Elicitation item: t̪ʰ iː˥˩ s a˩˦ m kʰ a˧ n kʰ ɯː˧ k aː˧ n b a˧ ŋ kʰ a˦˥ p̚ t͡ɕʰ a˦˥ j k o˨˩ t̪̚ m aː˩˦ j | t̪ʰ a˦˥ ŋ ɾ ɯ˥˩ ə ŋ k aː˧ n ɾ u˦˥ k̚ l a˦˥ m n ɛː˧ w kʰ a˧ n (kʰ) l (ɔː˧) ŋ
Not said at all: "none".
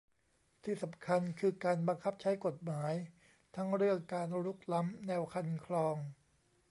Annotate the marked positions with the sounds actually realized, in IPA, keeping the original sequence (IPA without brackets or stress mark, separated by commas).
kʰ, ɔː˧